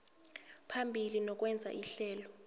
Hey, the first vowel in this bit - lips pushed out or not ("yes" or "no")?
no